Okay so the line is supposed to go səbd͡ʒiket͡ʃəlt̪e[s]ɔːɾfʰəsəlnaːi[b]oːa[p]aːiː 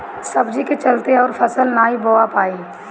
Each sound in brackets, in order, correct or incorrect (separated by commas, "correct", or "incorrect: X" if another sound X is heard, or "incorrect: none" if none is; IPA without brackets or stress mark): incorrect: none, correct, correct